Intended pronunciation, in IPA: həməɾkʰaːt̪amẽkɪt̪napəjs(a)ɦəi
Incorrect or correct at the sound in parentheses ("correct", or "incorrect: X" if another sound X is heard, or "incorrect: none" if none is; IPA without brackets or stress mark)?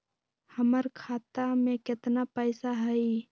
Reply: correct